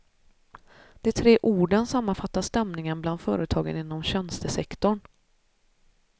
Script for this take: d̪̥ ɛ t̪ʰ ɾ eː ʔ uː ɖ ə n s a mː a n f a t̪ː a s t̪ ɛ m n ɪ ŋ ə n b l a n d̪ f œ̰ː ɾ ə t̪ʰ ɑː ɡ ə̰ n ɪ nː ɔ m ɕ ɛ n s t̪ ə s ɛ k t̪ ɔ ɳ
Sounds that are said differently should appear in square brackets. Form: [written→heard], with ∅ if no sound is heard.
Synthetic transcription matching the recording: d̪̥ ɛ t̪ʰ ɾ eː ʔ uː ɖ ə n s a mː a n f a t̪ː a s t̪ ɛ m n ɪ ŋ ə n b l a n d̪ f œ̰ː ɾ ə t̪ʰ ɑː ɡ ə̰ n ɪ nː ɔ m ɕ ɛ n s t̪ ə s ɛ k t̪ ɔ ɳ